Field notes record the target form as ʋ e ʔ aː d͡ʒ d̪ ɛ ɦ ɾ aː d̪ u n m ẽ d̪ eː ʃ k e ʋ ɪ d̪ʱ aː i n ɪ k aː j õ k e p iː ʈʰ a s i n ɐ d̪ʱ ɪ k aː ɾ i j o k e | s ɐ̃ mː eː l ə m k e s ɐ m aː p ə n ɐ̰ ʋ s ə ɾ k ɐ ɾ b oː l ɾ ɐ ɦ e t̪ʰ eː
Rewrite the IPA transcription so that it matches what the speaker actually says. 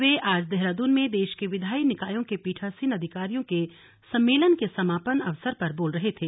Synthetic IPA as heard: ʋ e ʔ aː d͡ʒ d̪ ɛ ɦ ɾ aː d̪ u n m ẽ d̪ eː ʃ k e ʋ ɪ d̪ʱ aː i n ɪ k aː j õ k e p iː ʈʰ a s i n ɐ d̪ʱ ɪ k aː ɾ i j õ k e | s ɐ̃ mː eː l ə n k e s ɐ m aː p ə n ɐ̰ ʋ s ə ɾ p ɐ ɾ b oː l ɾ ɐ ɦ e t̪ʰ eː